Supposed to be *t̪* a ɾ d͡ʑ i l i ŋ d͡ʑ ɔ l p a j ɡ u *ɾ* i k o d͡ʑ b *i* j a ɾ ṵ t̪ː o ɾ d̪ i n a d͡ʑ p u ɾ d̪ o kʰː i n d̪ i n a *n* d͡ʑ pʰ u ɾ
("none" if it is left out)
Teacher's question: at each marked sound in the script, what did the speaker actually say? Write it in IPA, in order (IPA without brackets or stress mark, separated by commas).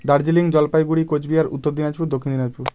d̪, ɽ, i, none